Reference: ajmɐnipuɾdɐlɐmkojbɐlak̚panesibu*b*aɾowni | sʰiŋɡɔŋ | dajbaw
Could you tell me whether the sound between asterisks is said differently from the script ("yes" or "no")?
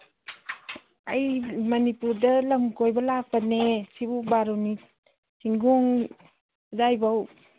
no